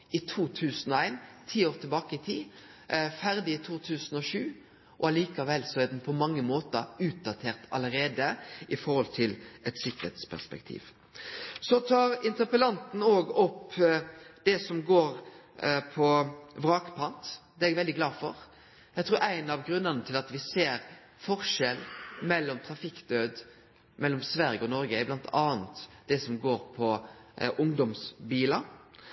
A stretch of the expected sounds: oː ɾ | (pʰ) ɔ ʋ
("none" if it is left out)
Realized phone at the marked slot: pʰ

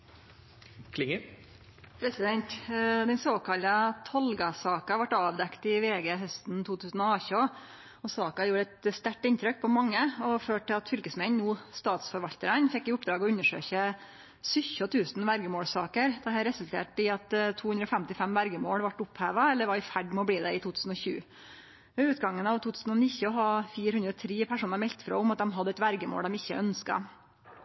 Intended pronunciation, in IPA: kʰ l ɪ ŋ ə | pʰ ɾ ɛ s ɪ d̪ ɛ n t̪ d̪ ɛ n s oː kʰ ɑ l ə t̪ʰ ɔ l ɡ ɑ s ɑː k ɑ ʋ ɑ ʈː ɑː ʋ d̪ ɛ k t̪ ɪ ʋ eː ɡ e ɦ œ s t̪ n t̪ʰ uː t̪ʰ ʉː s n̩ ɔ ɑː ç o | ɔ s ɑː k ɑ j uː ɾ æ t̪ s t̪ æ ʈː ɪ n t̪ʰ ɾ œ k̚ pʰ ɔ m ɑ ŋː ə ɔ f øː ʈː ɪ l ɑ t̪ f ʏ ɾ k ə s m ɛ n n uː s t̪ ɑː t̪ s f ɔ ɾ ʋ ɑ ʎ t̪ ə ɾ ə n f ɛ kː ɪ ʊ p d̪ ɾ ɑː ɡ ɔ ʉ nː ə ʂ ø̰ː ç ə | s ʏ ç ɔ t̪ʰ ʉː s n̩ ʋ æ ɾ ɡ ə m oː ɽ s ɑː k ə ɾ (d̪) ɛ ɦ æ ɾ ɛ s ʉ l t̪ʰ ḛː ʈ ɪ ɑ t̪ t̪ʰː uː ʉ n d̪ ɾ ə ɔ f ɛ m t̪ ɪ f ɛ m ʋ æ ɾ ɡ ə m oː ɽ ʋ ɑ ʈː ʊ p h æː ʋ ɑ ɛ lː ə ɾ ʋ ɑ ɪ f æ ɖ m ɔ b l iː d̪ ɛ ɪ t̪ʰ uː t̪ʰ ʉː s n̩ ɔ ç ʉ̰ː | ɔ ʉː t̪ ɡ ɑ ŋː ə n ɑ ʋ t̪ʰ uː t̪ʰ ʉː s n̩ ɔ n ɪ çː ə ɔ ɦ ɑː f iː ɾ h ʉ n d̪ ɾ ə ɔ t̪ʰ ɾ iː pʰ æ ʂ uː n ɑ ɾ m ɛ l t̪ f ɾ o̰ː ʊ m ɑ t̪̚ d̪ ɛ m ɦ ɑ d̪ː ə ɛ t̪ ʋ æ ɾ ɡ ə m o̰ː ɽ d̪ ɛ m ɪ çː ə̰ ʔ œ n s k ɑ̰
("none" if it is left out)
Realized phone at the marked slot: d̪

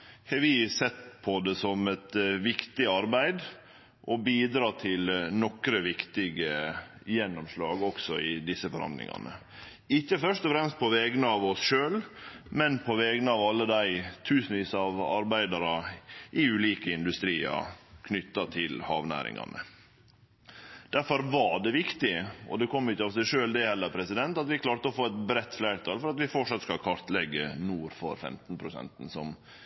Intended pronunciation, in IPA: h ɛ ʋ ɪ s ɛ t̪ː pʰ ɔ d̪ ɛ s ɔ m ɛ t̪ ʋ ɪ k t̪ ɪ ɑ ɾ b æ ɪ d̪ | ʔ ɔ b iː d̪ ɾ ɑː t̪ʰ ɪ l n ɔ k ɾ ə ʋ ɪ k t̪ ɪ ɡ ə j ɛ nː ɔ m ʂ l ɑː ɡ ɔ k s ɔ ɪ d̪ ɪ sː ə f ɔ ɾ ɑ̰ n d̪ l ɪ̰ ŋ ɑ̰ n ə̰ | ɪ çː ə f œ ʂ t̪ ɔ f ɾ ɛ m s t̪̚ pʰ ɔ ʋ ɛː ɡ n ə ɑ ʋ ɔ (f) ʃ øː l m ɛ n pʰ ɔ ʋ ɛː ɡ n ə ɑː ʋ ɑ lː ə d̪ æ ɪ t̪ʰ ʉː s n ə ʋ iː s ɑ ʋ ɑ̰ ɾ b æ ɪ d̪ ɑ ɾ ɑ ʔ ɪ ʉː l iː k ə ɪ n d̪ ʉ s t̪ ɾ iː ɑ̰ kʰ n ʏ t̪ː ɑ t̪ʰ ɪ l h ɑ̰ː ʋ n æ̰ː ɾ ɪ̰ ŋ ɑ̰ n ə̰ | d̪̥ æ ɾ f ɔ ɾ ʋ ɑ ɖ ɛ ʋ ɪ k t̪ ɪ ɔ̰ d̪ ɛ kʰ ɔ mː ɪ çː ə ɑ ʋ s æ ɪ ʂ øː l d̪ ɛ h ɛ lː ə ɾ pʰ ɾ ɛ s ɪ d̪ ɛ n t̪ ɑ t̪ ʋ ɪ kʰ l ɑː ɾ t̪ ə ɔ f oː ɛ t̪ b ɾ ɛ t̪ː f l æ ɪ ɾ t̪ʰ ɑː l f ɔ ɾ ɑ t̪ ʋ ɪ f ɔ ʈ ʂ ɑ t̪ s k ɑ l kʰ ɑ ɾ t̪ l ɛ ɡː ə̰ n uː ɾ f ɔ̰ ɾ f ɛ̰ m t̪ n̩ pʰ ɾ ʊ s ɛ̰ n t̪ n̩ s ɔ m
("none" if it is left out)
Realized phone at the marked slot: s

